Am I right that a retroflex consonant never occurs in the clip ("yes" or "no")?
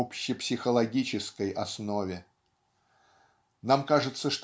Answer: no